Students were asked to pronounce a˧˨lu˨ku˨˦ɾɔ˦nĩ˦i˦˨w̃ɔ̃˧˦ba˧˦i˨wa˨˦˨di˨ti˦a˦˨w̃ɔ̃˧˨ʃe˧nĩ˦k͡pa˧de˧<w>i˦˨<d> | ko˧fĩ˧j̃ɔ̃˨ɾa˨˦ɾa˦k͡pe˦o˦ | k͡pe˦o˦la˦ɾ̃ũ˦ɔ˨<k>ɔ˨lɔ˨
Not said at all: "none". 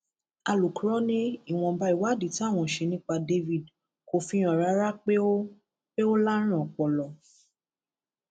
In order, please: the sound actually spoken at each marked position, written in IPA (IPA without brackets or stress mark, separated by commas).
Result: v, d, k͡p